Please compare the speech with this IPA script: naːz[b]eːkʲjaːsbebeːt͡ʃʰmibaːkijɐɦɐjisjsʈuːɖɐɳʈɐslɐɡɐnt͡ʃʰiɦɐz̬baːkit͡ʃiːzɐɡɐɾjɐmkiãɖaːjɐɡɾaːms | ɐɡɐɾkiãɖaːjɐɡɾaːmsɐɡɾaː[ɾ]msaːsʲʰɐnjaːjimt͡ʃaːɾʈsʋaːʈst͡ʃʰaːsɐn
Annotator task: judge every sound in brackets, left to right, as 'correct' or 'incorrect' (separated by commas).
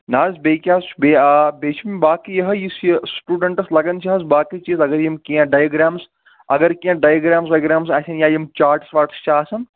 correct, incorrect